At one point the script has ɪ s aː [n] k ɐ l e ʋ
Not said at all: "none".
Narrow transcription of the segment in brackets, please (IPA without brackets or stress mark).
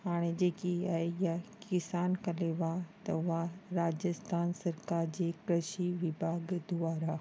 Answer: n